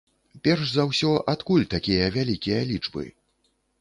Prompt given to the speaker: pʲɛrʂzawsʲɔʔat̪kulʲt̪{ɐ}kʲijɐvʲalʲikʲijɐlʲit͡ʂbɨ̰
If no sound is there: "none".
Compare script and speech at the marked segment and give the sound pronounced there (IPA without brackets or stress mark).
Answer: a